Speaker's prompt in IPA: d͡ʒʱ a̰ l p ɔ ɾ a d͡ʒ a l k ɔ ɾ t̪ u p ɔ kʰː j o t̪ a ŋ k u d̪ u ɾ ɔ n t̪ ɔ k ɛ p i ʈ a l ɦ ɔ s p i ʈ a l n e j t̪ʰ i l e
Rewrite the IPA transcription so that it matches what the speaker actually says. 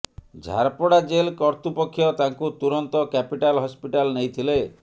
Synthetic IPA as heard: d͡ʒʱ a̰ ɾ p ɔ ɽ a d͡ʒ e l k ɔ ɾ t̪ u p ɔ kʰː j ɔ t̪ a ŋ k u t̪ u ɾ ɔ n t̪ ɔ k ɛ p i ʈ a l ɦ ɔ s p i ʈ a l n e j t̪ʰ i l e